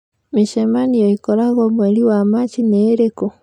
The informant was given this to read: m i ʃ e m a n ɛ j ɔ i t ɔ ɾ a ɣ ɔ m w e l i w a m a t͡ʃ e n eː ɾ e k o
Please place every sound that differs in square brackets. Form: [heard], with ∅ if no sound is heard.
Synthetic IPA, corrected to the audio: m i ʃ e m a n [i] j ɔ i [k] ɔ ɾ a ɣ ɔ m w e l i w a m a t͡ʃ [i] n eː ɾ e k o